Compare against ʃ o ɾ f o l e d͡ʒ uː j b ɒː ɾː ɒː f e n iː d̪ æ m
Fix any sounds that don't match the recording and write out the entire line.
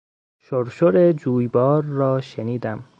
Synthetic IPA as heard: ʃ o ɾ ʃ o ɾ e d͡ʒ uː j b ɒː ɾː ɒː ʃ e n iː d̪ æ m